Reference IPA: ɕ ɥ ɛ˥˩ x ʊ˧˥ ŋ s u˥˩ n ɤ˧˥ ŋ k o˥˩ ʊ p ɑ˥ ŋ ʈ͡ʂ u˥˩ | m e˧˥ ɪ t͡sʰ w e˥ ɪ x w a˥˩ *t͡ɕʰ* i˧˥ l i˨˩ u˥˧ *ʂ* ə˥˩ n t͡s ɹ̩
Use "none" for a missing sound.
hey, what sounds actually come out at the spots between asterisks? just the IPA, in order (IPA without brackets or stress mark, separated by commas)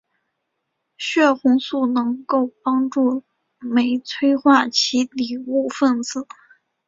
t͡ɕʰ, f